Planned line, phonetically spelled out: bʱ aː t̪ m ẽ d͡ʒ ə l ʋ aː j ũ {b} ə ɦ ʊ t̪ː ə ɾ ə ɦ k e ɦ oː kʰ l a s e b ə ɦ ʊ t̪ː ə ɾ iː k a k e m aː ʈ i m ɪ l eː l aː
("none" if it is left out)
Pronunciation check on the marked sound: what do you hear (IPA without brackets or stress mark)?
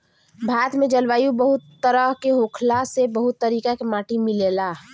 b